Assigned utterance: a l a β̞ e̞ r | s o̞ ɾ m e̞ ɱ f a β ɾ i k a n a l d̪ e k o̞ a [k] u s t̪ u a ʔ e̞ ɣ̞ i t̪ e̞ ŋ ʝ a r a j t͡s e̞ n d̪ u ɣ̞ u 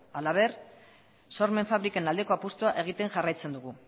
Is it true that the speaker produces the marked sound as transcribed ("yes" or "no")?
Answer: no